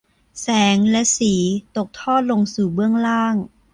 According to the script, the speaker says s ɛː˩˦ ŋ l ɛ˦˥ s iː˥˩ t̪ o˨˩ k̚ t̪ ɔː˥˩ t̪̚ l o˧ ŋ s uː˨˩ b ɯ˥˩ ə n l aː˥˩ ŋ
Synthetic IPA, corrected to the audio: s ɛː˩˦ ŋ l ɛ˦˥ s iː˩˦ t̪ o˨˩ k̚ t̪ʰ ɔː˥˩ t̪̚ l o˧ ŋ s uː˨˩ b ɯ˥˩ ə ŋ l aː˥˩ ŋ